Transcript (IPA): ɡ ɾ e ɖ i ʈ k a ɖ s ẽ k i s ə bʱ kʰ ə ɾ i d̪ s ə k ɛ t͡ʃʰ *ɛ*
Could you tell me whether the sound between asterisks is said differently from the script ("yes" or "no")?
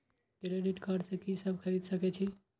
yes